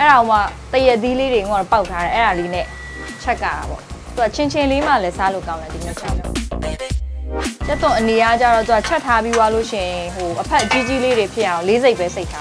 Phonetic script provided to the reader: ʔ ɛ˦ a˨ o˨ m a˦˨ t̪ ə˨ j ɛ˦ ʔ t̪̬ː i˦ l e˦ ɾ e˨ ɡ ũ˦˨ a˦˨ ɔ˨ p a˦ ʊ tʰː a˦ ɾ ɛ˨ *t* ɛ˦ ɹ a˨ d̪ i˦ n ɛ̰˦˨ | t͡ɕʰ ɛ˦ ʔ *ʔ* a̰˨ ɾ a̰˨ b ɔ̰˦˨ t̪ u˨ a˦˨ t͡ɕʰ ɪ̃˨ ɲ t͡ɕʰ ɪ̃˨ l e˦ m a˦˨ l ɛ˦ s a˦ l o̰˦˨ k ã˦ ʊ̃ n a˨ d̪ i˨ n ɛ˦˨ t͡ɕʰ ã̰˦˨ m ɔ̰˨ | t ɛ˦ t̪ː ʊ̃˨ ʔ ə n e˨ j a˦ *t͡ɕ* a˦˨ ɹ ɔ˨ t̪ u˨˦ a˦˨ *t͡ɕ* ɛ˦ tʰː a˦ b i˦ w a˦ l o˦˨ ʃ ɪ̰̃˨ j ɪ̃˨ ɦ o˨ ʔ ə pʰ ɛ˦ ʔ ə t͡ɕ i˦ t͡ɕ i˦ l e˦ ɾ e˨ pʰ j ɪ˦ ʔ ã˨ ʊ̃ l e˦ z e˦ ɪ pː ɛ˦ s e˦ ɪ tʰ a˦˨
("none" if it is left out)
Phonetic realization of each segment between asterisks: ʔ, k, t͡ɕ, t͡ɕʰ

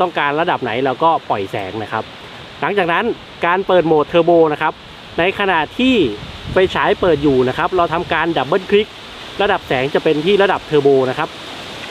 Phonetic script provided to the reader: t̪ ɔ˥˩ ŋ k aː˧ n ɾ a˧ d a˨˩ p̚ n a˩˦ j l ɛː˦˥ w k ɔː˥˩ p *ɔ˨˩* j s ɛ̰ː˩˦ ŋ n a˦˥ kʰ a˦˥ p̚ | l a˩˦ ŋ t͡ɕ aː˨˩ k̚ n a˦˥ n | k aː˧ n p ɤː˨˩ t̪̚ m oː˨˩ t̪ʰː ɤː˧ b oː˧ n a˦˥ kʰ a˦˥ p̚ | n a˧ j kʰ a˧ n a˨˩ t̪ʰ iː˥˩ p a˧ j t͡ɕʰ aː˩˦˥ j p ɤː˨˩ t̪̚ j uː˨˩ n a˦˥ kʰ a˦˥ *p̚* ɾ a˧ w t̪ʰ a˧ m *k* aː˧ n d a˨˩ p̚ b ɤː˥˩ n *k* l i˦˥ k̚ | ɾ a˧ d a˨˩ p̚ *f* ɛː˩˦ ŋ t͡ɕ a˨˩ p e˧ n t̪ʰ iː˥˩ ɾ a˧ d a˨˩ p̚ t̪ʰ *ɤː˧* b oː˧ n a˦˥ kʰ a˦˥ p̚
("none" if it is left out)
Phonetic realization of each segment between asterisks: ɔ˨˩, p̚, k, kʰ, s, ɤː˧

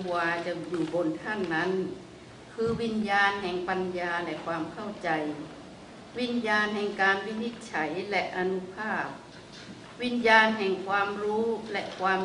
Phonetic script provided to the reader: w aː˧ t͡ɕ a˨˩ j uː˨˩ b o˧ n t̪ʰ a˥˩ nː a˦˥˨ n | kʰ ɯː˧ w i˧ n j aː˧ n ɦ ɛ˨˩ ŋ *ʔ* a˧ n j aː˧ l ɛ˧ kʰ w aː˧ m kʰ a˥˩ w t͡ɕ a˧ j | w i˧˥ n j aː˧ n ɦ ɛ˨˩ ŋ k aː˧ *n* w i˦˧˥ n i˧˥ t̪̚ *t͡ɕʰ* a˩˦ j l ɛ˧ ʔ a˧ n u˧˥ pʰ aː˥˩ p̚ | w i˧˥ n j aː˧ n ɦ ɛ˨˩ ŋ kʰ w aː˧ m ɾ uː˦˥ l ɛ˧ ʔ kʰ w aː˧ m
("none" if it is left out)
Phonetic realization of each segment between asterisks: p, n, t͡ɕʰ

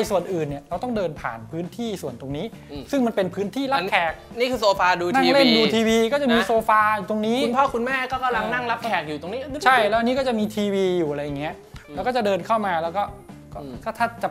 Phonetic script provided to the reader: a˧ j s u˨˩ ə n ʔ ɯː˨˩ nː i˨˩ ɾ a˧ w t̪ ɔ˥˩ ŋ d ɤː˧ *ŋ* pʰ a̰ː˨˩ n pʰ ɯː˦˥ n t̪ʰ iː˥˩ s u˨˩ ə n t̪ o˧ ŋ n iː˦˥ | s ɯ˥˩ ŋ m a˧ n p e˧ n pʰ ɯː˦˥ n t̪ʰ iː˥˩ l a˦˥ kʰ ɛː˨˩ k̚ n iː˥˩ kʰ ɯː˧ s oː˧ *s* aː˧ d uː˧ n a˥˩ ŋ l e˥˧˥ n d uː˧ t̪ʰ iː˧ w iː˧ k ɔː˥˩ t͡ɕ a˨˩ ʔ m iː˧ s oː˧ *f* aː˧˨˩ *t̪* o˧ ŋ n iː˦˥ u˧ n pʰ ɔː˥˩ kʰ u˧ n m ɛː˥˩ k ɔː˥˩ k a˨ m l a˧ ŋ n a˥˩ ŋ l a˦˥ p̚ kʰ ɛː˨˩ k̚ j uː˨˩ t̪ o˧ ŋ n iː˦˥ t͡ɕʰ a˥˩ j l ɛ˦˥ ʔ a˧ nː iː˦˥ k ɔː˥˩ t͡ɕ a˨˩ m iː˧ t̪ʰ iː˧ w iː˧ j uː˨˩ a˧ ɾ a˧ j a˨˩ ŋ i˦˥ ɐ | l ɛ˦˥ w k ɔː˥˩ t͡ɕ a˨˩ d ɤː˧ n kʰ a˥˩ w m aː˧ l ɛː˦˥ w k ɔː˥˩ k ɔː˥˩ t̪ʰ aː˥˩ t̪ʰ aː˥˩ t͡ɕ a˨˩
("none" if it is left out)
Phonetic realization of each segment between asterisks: n, f, f, t̪

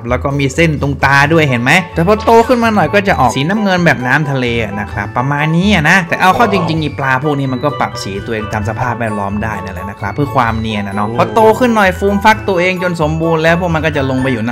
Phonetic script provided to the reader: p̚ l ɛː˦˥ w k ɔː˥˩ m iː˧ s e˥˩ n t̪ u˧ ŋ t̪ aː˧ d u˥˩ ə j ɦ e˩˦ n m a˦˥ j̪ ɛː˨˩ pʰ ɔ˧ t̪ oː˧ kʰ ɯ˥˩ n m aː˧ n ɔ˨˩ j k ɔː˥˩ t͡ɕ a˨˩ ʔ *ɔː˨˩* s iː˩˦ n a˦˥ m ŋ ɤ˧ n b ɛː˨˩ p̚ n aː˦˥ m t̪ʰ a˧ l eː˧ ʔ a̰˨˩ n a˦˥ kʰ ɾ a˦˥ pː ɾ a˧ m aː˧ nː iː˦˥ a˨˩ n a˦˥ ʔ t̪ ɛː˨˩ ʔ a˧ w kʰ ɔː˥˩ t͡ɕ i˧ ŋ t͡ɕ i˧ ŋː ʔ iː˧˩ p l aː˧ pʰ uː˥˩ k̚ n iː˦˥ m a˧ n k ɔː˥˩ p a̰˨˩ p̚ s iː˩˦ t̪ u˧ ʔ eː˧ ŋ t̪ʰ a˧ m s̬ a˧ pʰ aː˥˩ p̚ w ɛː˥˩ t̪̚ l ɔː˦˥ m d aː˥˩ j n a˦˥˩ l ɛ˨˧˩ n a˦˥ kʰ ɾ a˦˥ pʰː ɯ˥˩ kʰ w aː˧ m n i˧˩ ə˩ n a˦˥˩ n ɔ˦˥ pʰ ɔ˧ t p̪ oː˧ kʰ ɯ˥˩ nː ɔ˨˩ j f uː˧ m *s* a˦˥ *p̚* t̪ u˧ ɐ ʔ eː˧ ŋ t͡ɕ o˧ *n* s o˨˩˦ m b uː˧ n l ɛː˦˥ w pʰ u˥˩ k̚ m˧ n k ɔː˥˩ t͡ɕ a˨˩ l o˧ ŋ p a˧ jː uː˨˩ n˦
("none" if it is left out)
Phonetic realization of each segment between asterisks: ɔː˨˩, f, k̚, n

